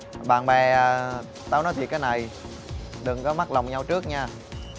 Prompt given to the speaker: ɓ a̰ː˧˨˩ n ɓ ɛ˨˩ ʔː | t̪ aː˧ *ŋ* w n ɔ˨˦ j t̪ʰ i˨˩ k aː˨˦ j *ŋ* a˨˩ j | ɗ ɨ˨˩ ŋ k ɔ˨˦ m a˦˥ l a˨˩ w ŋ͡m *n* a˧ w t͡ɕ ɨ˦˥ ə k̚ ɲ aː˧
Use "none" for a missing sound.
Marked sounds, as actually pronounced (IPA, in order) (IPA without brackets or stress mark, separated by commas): none, n, ɲ